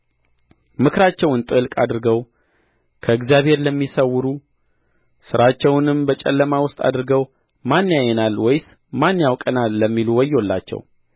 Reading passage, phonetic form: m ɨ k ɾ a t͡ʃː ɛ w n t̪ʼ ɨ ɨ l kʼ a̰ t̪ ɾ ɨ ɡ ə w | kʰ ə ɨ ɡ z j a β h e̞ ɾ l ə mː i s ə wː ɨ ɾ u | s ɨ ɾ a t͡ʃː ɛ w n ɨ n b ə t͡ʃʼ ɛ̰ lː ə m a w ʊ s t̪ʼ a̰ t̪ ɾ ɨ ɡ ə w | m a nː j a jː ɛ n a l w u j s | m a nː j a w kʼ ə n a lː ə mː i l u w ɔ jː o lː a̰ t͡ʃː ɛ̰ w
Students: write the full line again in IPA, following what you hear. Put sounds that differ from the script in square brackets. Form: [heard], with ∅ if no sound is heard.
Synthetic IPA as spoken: m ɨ k ɾ a t͡ʃː ɛ w n t̪ʼ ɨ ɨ l kʼ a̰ [d̪] ɾ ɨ ɡ ə w | kʰ ə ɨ ɡ z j a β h e̞ ɾ l ə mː i s ə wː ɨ ɾ u | s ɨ ɾ a t͡ʃː ɛ w n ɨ [m] b ə t͡ʃʼ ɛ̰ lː ə m a w ʊ s t̪ʼ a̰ [d̪] ɾ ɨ ɡ ə w | m a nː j a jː ɛ n a l w [ɔ] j s | m a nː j a w kʼ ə n a lː ə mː i l u w ɔ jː o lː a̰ t͡ʃː ɛ̰ w